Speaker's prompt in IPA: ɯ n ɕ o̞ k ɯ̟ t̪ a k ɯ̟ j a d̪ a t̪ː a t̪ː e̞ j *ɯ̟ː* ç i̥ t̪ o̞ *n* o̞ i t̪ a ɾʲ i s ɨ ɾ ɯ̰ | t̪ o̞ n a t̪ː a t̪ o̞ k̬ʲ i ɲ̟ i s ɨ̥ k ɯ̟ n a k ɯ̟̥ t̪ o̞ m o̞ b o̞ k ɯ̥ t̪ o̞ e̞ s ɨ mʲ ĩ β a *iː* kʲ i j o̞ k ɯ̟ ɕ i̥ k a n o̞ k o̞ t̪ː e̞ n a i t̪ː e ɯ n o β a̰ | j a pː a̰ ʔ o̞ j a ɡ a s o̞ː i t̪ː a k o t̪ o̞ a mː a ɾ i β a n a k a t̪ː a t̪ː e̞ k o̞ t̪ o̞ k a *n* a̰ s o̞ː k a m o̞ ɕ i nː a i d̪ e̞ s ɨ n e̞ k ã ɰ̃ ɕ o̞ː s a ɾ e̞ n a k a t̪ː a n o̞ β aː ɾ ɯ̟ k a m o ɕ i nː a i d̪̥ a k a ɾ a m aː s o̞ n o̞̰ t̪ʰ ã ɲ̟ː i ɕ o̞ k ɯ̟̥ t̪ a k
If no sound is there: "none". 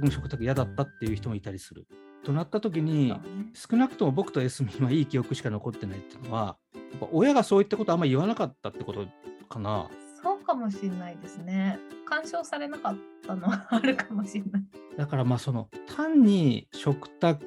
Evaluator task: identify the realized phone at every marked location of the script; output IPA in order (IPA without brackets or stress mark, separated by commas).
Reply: ɯ̟, m, iː, n